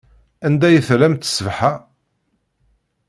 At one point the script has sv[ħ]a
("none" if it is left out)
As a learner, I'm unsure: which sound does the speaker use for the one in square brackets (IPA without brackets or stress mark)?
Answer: ħ